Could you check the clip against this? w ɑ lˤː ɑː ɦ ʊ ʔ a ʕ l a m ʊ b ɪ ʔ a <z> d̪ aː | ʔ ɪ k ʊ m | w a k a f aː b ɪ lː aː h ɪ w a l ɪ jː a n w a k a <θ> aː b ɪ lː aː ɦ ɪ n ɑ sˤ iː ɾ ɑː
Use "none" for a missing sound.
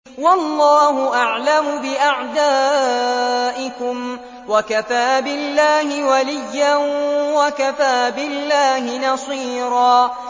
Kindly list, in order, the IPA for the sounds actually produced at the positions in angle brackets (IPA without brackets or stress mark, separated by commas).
ʕ, f